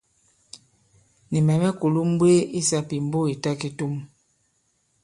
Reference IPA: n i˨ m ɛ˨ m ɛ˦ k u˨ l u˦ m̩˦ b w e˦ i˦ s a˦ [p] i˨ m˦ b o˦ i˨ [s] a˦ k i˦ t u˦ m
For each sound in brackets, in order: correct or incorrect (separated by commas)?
correct, incorrect